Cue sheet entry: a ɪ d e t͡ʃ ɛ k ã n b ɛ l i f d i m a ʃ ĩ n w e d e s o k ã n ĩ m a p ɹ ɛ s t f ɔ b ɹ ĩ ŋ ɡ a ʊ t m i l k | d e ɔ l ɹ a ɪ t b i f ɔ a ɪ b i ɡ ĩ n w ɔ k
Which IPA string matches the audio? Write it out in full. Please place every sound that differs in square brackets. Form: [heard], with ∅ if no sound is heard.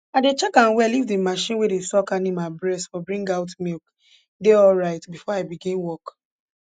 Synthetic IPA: a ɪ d e t͡ʃ ɛ k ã n [w] ɛ l i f d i m a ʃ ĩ n w e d e s [ɔ] k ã n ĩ m a [b] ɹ ɛ s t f ɔ b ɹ ĩ ŋ ɡ a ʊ t m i l k | d e ɔ l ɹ a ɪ t b i f ɔ a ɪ b i ɡ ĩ n w ɔ k